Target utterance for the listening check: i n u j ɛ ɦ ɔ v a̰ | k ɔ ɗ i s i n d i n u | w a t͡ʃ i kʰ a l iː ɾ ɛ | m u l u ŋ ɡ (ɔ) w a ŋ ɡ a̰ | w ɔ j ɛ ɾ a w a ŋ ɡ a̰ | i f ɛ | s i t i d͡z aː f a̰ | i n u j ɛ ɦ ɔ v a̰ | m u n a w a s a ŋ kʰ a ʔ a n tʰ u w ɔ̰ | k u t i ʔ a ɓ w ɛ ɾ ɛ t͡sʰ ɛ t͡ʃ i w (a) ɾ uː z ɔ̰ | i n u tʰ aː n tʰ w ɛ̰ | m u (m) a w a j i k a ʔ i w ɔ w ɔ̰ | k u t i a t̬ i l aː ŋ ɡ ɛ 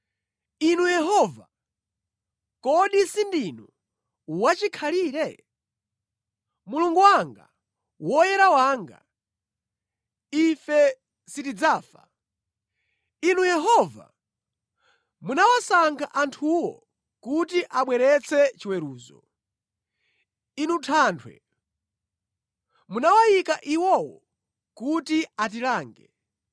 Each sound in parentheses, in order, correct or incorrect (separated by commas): incorrect, incorrect, incorrect